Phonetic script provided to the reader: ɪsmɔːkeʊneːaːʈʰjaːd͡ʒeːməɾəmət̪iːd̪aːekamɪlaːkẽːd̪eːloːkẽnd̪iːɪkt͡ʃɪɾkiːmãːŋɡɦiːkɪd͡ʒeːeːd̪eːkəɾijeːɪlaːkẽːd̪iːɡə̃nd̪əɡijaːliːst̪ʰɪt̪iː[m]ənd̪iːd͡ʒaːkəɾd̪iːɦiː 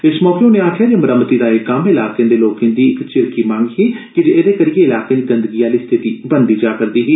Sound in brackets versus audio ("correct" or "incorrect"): incorrect